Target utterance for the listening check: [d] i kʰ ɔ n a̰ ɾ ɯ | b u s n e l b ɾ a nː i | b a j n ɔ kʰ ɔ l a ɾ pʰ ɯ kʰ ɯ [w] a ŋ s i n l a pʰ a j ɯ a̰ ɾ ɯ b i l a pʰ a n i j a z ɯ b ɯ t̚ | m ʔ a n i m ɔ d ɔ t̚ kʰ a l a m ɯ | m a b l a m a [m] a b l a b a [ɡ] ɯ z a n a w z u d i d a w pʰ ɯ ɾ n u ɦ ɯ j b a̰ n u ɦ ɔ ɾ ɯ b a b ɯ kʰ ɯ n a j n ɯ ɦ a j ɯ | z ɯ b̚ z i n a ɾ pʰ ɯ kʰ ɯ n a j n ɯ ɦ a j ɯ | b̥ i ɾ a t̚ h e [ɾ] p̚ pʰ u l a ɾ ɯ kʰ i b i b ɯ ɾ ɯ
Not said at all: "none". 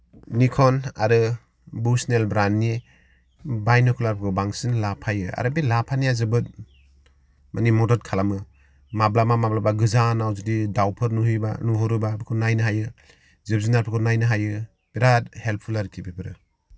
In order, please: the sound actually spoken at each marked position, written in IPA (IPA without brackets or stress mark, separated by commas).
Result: n, b, m, ɡ, l